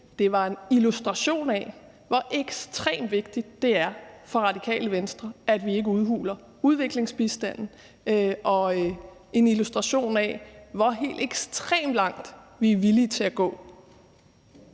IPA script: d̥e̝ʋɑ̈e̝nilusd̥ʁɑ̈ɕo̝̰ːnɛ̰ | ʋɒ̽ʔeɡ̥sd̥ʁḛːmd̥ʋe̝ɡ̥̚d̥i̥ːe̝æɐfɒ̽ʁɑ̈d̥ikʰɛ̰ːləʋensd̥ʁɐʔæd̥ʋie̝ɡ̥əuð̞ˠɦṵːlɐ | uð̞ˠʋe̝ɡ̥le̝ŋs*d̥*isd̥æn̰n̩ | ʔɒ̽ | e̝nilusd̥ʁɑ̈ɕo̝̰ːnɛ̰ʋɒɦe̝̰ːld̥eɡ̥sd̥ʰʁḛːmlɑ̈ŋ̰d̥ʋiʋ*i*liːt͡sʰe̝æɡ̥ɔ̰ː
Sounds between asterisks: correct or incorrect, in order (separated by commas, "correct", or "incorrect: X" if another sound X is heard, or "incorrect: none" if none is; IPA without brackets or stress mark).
incorrect: b̥, correct